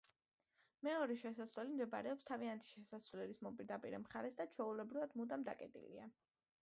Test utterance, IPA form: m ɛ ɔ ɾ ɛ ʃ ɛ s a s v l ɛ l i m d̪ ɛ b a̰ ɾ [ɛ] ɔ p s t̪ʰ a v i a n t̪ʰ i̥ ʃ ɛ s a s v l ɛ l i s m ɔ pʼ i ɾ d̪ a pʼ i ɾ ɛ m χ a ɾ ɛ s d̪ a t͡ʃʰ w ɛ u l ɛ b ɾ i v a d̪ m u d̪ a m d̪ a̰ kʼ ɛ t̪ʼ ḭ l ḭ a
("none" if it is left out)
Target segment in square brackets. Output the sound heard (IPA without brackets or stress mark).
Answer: ɛ